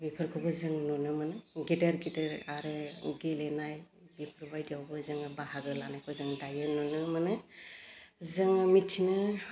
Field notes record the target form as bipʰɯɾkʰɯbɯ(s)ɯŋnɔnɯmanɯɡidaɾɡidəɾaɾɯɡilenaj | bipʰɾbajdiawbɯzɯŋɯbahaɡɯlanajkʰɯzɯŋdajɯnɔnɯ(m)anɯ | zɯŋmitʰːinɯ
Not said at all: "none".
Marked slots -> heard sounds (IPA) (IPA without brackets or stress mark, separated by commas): z, m